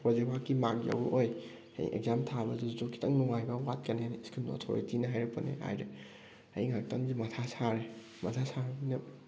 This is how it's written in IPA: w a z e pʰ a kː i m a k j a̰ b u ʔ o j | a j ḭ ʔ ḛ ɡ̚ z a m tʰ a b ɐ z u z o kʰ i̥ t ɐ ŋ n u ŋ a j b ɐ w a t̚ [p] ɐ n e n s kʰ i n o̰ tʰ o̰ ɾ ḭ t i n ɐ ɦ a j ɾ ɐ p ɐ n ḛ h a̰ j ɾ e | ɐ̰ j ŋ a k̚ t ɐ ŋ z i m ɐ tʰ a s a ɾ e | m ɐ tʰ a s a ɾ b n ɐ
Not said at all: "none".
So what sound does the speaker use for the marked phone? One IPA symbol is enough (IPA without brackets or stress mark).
k